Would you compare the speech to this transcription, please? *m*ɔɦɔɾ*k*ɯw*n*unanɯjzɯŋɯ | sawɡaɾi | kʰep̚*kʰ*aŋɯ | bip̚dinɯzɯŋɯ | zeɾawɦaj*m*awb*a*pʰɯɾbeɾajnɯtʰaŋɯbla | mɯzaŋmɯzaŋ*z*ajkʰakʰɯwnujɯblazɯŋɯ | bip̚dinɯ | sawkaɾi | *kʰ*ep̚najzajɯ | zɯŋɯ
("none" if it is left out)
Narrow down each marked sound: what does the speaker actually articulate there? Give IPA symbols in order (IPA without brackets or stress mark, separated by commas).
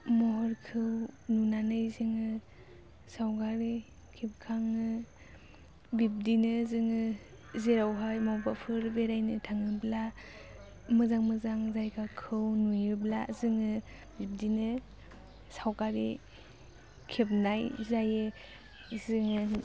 m, kʰ, n, kʰ, m, a, z, kʰ